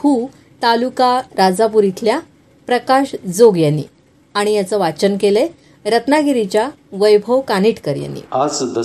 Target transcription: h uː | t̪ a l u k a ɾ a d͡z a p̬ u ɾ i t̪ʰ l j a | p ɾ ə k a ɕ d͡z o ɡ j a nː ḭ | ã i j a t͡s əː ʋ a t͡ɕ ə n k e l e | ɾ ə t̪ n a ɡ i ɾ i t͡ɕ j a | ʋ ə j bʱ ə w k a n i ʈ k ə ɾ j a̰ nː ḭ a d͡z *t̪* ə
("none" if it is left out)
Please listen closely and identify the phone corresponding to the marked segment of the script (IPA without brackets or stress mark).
d̪